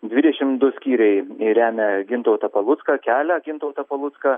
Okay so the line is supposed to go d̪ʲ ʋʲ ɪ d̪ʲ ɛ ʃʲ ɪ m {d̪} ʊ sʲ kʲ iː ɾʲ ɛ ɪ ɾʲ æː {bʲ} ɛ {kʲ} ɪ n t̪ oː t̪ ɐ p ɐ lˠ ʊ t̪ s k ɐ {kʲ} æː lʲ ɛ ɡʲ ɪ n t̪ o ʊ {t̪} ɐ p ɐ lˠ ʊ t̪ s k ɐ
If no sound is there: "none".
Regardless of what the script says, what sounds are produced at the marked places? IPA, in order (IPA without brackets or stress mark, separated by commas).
d̪, mʲ, ɡʲ, kʲ, t̪